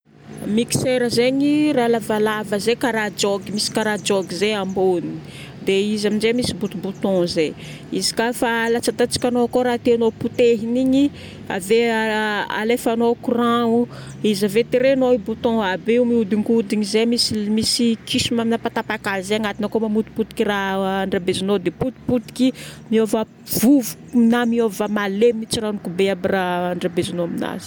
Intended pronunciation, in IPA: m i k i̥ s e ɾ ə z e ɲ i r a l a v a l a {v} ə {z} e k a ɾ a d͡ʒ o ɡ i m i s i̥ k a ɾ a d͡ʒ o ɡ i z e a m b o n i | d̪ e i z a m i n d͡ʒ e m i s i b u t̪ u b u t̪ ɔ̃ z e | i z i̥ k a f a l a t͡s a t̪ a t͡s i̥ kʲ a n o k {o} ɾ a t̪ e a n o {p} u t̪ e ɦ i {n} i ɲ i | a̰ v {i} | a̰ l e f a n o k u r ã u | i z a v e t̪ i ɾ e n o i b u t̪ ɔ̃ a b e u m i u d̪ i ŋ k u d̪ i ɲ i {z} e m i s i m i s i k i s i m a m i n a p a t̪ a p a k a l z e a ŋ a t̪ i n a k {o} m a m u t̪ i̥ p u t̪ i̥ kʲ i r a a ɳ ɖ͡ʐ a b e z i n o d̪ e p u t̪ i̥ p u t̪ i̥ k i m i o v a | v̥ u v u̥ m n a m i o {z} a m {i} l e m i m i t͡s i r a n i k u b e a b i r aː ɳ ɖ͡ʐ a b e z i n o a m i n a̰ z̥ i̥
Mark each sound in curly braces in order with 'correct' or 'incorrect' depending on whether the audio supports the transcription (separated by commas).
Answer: correct, correct, correct, correct, correct, incorrect, correct, correct, incorrect, incorrect